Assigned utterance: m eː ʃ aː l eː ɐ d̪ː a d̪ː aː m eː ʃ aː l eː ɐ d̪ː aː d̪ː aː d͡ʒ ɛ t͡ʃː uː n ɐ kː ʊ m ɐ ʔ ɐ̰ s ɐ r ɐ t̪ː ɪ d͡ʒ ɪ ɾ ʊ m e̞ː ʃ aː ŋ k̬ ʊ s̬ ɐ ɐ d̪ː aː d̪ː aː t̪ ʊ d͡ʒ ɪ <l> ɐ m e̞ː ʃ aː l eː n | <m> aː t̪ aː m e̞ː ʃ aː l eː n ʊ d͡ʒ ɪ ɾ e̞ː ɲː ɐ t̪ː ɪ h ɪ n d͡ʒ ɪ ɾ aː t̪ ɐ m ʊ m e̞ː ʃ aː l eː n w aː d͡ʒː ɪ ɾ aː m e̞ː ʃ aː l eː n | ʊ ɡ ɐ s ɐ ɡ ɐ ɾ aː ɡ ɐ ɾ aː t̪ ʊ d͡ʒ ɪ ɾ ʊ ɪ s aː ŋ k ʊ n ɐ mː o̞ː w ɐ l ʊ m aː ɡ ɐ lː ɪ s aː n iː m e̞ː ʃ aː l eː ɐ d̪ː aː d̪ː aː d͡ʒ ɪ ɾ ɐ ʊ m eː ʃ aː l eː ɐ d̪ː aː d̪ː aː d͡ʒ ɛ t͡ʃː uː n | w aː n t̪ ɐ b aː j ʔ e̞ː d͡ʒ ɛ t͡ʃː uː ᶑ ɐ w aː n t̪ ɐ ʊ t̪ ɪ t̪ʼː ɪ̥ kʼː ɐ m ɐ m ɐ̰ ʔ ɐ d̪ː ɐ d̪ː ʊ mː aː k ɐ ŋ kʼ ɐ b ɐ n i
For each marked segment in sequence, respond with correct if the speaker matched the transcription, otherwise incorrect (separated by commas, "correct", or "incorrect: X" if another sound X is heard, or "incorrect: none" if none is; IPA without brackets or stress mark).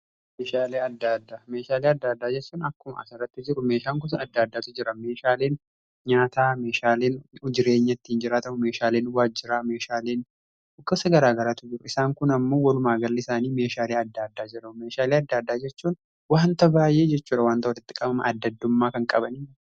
incorrect: ɾ, incorrect: ɲ